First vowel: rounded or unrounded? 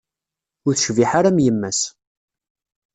rounded